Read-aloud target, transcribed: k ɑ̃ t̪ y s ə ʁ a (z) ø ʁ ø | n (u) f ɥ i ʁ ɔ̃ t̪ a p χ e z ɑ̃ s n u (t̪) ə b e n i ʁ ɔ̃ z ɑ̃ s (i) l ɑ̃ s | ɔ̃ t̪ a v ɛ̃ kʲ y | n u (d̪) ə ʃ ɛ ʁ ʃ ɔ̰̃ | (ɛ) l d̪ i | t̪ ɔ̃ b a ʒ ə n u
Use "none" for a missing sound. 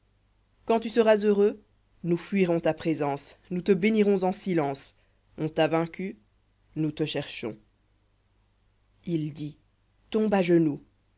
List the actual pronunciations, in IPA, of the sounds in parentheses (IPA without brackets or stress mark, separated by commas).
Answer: z, u, t̪, i, t̪, i